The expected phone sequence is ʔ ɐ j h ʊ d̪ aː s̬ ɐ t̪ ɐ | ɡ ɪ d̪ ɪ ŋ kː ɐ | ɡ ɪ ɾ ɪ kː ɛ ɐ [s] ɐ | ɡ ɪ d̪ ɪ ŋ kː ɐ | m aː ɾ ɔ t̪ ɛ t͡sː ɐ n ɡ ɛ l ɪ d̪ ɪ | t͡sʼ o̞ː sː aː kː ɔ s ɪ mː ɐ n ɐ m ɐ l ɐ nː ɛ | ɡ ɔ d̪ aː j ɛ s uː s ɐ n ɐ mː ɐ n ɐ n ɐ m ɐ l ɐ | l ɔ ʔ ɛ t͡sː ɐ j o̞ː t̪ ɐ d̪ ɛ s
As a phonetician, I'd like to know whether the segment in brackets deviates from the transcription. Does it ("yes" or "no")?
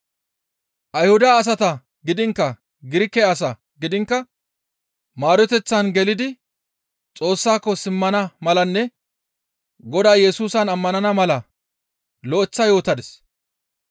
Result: no